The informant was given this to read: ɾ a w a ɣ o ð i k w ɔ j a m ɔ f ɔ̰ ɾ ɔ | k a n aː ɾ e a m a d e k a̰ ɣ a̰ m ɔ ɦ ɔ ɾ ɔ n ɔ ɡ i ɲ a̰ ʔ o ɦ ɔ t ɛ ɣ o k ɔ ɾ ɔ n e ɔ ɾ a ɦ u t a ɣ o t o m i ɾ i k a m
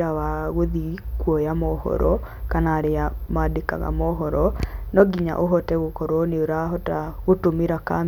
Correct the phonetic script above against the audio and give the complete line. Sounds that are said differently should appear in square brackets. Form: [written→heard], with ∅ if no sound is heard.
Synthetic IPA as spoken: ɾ a w a ɣ o ð i k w ɔ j a m ɔ [f→h] ɔ̰ ɾ ɔ | k a n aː ɾ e a m a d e k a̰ ɣ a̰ m ɔ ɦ ɔ ɾ ɔ n ɔ ɡ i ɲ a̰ ʔ o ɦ ɔ t ɛ ɣ o k ɔ ɾ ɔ n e [ɔ→o] ɾ a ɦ [u→ɔ] t a ɣ o t o m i ɾ [i→a] k a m